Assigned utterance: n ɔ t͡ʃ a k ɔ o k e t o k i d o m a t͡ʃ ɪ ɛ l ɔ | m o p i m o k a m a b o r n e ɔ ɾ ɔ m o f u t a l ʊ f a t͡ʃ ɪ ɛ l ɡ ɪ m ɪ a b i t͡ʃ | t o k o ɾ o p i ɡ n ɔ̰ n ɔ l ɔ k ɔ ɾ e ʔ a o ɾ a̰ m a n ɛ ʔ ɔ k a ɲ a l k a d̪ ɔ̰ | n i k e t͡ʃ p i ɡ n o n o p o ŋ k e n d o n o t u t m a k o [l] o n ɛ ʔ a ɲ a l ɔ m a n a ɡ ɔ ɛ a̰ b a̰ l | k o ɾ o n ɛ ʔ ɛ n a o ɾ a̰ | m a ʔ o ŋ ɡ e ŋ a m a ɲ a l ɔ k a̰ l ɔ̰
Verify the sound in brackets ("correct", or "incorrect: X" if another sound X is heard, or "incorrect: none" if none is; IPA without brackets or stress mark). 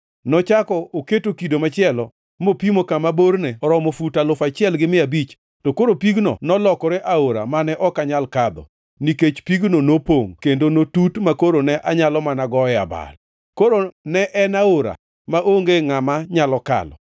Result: incorrect: ɾ